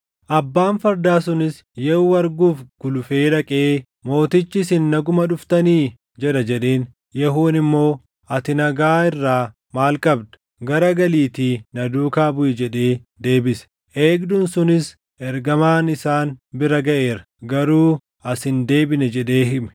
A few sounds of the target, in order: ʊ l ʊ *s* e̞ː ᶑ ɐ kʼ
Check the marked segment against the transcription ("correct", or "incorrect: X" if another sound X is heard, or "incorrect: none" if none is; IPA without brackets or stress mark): incorrect: f